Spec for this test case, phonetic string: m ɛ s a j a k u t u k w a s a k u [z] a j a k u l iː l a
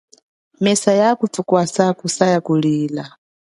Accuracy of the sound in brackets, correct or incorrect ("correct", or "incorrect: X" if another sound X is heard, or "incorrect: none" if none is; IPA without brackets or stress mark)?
incorrect: s